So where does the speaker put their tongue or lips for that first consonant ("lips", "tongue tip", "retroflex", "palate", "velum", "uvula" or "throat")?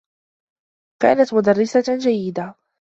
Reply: velum